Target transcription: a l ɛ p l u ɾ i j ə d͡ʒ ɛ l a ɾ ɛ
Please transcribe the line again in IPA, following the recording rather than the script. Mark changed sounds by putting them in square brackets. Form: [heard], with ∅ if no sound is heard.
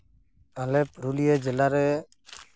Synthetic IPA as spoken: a l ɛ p [ɾ] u [l] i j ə d͡ʒ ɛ l a ɾ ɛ

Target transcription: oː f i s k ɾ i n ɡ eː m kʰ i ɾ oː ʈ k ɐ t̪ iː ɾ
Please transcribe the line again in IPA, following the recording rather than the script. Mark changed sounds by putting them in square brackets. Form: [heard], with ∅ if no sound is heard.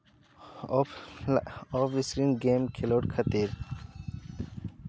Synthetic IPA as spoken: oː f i s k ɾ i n ɡ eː m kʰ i [l] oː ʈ [kʰ] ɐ t̪ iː ɾ

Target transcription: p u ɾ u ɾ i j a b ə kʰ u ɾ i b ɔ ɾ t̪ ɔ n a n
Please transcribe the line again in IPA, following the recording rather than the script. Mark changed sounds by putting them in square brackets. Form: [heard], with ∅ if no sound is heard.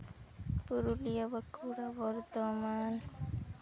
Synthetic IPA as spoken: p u ɾ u [l] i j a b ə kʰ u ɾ [a] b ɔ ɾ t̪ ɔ [m] a n

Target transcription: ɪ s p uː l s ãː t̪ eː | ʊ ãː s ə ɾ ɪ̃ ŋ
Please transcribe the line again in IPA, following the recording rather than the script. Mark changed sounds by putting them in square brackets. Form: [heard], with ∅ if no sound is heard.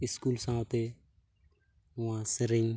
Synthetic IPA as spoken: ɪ s [k] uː l s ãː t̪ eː | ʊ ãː s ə ɾ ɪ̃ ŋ

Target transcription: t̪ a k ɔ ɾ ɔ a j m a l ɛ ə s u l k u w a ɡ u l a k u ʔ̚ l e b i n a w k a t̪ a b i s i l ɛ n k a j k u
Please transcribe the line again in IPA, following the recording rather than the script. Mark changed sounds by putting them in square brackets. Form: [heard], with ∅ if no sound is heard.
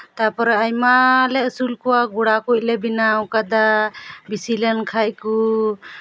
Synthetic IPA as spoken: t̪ a [p] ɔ ɾ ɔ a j m a l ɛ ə s u l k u w a ɡ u [ɽ] a k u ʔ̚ l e b i n a w k a [d̪] a b i s i l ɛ n [kʰ] a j k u

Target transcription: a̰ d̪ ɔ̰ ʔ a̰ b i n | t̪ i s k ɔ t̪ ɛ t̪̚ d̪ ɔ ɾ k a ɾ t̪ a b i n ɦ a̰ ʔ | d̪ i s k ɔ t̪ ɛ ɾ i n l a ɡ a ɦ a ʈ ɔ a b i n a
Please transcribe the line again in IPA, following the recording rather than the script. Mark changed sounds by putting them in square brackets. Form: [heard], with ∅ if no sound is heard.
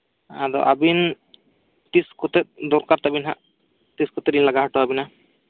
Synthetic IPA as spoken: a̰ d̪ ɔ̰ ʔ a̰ b i n | t̪ i s k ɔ t̪ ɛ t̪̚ d̪ ɔ ɾ k a ɾ t̪ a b i n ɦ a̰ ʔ | [t̪] i s k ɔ t̪ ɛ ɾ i n l a ɡ a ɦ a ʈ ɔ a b i n a

